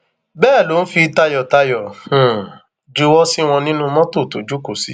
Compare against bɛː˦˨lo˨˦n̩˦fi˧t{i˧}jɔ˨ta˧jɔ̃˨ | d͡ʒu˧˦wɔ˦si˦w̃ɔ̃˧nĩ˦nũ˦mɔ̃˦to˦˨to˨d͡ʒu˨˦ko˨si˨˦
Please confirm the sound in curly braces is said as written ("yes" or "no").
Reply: no